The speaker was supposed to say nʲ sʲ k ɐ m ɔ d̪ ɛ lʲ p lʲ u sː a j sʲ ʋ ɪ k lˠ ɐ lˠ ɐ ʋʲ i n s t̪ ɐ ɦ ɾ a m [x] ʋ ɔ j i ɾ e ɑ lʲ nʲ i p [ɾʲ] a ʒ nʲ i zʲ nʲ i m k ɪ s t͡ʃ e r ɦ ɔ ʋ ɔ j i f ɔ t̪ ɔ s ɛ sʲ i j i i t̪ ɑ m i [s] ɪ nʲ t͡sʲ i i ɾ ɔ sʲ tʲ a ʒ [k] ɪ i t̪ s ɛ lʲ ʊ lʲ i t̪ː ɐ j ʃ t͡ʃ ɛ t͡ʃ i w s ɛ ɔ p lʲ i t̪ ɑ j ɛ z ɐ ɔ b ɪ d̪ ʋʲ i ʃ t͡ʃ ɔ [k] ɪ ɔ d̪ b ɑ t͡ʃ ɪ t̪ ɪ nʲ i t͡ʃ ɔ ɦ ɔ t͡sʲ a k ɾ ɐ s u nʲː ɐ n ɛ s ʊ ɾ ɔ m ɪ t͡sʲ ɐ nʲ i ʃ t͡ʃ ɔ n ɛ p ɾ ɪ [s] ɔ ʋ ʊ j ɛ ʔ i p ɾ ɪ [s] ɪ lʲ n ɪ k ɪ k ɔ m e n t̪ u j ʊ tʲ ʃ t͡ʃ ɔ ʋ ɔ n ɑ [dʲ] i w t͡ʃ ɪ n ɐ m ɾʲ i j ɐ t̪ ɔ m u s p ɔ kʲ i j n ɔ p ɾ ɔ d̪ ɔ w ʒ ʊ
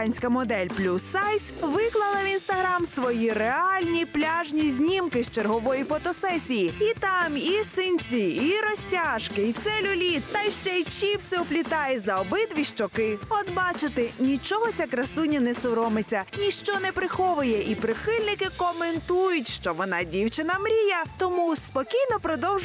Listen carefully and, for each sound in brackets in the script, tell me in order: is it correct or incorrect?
incorrect: s, incorrect: lʲ, correct, correct, correct, incorrect: x, incorrect: x, correct

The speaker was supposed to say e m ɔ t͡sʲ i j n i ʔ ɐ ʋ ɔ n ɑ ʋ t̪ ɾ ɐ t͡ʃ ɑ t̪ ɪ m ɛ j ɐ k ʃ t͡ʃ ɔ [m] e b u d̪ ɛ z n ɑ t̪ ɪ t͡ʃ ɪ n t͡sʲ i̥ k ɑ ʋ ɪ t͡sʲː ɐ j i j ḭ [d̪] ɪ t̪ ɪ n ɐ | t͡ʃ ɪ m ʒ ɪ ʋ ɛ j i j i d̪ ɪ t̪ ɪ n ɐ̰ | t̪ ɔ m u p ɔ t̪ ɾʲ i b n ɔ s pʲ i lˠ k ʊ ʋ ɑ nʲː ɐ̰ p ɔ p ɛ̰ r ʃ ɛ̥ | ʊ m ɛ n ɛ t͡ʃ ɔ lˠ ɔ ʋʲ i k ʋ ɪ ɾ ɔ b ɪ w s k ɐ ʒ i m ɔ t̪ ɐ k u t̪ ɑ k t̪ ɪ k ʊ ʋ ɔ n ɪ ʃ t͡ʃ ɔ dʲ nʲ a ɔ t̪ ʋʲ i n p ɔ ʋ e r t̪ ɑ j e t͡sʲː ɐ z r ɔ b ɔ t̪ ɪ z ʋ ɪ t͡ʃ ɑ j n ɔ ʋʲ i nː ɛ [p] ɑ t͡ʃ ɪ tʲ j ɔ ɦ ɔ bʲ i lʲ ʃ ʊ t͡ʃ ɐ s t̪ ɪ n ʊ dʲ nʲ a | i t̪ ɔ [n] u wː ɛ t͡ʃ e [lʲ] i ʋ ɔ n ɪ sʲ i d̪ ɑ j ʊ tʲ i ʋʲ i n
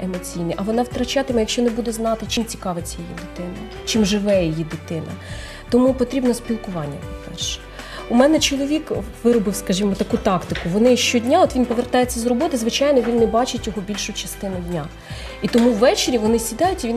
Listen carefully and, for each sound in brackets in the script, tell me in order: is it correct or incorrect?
incorrect: n, correct, incorrect: b, incorrect: m, incorrect: ɾʲ

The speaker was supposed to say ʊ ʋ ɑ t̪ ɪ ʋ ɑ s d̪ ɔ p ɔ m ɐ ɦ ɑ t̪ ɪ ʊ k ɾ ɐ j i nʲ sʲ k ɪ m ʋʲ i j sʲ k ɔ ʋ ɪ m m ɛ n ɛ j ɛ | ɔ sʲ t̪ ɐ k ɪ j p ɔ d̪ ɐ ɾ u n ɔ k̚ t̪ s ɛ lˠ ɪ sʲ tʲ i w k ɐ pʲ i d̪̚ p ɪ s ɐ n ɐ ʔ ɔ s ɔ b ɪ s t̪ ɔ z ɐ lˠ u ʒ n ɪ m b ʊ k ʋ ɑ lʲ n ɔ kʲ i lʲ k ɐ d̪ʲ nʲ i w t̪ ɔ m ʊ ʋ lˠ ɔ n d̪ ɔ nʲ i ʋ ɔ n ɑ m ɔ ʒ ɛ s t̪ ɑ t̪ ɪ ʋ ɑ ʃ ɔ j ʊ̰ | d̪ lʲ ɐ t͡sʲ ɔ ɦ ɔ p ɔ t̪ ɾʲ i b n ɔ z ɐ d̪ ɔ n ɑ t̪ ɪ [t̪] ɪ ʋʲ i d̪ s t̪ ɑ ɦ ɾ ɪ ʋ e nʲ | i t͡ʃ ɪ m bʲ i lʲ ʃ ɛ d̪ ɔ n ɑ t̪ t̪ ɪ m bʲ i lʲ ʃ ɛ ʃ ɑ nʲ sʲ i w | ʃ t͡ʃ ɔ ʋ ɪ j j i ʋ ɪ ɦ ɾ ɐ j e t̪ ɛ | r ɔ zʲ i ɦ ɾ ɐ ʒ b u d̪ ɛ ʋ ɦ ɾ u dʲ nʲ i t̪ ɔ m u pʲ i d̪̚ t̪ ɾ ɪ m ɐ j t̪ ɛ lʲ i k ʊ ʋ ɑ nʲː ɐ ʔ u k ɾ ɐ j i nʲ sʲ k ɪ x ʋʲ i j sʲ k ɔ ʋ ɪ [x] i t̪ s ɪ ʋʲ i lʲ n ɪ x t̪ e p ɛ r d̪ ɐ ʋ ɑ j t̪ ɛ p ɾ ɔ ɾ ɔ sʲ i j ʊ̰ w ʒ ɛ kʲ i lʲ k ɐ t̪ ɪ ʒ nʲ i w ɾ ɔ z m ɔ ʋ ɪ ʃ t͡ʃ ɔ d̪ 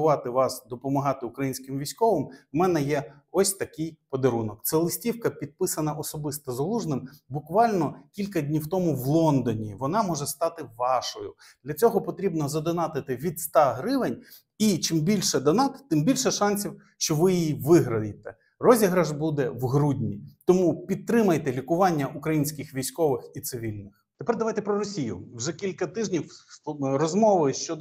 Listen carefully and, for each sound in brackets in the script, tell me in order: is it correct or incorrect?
correct, correct

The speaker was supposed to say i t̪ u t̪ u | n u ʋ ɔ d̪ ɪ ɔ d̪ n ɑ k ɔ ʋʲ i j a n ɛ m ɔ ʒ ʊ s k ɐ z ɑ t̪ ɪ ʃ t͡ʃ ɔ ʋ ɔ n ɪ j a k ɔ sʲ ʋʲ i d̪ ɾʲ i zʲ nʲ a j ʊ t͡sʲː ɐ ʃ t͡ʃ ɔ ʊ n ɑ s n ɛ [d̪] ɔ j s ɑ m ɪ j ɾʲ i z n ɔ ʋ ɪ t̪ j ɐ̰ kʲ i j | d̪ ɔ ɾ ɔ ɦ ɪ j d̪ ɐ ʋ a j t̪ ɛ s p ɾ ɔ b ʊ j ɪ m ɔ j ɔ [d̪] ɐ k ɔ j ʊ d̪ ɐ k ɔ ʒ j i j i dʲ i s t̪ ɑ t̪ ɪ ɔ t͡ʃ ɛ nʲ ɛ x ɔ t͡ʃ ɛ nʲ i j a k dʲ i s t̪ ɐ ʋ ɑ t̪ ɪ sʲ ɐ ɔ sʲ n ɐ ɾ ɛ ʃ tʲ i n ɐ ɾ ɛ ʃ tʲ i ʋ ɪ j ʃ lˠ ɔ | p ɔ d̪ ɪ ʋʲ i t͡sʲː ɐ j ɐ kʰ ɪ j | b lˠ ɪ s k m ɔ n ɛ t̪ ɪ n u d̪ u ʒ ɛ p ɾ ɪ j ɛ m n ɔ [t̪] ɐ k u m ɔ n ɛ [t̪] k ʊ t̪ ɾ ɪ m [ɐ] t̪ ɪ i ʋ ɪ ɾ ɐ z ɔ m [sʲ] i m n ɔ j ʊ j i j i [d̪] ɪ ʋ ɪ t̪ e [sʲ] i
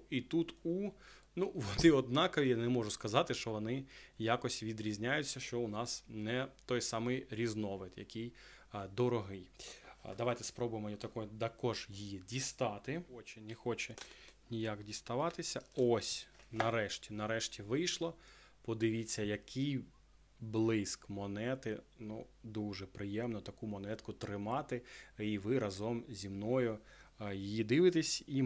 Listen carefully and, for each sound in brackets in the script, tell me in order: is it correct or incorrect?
incorrect: t̪, incorrect: t̪, correct, correct, incorrect: ɑ, incorrect: zʲ, correct, correct

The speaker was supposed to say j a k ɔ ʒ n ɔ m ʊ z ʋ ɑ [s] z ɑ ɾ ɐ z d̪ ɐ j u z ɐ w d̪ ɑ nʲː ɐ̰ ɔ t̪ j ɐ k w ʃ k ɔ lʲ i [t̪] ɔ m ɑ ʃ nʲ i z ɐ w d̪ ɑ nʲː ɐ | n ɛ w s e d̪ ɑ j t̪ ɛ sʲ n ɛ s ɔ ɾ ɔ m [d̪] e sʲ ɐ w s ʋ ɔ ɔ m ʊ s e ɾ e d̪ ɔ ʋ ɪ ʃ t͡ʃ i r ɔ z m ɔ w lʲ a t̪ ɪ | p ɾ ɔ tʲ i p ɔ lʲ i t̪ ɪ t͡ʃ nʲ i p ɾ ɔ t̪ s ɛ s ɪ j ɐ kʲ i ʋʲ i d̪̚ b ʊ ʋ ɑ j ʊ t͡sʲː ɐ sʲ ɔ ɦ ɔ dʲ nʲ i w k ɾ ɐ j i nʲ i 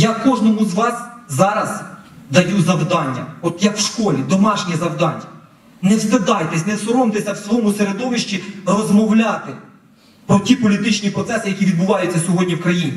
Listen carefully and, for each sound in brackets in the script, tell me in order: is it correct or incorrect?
correct, incorrect: d̪, incorrect: t̪

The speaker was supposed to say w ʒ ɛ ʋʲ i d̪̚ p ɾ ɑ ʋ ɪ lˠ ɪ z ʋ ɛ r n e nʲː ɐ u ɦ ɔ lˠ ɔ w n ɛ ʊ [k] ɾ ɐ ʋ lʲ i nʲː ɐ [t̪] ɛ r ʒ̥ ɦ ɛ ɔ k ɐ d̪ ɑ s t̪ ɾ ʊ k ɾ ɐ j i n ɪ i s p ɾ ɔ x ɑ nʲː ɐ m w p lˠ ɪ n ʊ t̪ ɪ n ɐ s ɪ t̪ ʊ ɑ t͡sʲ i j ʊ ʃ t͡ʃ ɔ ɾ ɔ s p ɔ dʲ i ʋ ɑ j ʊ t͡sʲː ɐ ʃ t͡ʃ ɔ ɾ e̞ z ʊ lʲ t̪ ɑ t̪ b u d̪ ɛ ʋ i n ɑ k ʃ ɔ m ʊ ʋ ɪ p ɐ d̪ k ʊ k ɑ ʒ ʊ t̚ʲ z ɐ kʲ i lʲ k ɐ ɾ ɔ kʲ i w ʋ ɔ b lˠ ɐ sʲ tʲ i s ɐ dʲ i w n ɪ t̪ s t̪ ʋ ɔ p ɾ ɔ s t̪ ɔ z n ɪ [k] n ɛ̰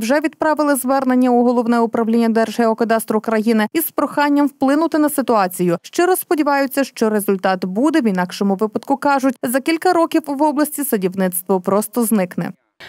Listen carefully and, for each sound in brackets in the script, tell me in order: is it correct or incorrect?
incorrect: p, incorrect: d̪, correct

